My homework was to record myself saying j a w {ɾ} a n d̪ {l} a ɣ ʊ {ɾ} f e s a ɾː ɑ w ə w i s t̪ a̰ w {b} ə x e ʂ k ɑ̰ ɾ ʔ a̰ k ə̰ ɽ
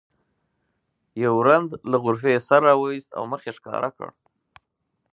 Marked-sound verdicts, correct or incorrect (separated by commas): correct, correct, correct, incorrect